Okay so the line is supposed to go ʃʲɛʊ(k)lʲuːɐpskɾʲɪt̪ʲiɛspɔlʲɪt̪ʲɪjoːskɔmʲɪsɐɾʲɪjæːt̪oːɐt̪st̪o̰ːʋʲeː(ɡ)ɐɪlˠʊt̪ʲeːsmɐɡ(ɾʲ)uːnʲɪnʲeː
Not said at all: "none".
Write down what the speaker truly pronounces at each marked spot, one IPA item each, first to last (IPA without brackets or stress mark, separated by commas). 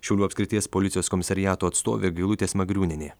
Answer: none, ɡ, ɾʲ